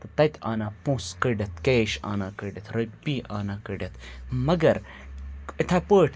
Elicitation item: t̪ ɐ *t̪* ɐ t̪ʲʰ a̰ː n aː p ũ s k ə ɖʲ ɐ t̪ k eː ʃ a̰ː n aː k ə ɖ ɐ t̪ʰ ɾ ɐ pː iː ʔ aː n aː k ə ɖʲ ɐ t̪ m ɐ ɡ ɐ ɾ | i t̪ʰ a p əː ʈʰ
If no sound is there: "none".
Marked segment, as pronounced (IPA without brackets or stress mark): t̪